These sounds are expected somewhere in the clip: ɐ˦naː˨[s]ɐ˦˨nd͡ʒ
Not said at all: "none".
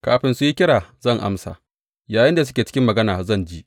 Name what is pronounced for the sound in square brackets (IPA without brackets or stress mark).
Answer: z